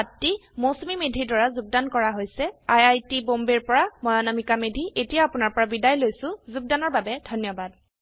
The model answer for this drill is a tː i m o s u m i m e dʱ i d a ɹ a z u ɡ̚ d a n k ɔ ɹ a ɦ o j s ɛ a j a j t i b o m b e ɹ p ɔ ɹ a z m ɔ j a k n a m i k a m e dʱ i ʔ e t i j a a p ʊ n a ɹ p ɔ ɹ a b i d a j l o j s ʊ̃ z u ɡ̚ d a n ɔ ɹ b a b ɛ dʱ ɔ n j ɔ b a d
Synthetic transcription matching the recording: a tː i m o s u m i m e dʱ i d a ɹ a z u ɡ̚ d a n k ɔ ɹ a ɦ o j s ɛ a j a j t i b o m b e ɹ p ɔ ɹ a m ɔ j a n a m i k a m e dʱ i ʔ e t i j a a p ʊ n a ɹ p ɔ ɹ a b i d a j l o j s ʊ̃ z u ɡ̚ d a n ɔ ɹ b a b ɛ dʱ ɔ n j ɔ b a d